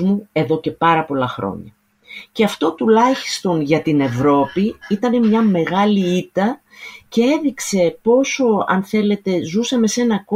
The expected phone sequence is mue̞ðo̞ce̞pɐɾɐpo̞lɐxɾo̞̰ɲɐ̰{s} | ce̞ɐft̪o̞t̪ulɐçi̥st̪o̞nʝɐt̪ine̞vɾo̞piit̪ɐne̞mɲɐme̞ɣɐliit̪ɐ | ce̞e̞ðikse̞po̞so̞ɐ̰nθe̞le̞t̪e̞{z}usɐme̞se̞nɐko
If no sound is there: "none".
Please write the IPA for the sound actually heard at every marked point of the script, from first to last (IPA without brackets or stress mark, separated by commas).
none, z